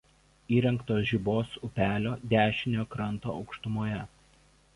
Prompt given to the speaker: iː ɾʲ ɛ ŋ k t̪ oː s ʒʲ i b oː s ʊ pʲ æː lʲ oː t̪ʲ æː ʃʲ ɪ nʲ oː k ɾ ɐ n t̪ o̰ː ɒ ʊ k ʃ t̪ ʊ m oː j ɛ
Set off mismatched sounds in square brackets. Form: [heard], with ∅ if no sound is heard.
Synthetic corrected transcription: iː ɾʲ ɛ ŋ k t̪ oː s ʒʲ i b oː s ʊ pʲ æː lʲ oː [d̪ʲ] æː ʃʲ ɪ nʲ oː k ɾ ɐ n t̪ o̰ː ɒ ʊ k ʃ t̪ ʊ m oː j ɛ